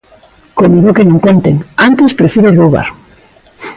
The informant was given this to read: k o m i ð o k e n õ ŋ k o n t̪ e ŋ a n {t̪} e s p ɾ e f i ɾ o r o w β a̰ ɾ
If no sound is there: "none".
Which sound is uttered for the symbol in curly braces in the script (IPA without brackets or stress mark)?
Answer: t̪